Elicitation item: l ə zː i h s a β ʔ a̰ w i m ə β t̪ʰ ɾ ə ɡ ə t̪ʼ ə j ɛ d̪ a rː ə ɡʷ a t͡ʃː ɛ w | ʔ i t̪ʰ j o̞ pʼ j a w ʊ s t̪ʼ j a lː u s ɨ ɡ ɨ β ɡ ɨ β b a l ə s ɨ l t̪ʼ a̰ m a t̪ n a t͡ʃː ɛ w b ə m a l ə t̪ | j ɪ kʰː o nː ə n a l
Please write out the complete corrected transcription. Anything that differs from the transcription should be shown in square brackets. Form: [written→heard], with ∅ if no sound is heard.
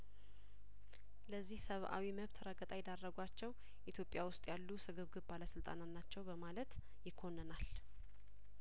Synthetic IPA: l ə zː i h s [a→ə] β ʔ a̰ w i m ə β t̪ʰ ɾ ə ɡ ə t̪ʼ [ə→a] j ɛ d̪ a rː ə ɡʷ a t͡ʃː ɛ w | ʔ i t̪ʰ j o̞ pʼ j a w ʊ s t̪ʼ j a lː u s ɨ ɡ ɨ β ɡ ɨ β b a l ə s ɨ l t̪ʼ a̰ [m→n] a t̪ n a t͡ʃː ɛ w b ə m a l ə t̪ | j ɪ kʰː o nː ə n a l